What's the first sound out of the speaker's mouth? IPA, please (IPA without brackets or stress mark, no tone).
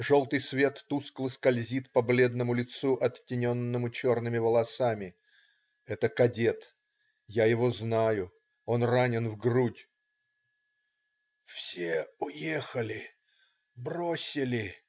ʐ